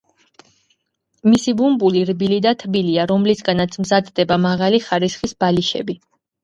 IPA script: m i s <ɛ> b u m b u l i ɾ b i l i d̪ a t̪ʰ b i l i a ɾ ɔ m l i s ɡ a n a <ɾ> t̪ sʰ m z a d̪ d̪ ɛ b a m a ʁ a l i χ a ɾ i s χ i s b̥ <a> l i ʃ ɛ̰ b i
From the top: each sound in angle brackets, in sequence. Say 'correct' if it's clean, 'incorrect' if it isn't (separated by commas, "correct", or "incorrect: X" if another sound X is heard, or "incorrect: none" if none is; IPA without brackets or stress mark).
incorrect: i, incorrect: none, correct